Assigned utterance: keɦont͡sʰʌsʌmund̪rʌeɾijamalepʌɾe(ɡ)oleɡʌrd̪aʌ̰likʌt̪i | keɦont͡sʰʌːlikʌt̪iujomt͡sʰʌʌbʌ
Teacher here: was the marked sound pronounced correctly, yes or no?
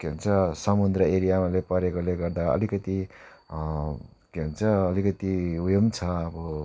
no